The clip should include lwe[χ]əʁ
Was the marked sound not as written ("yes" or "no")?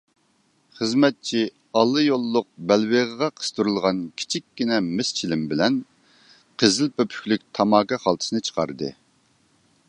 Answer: yes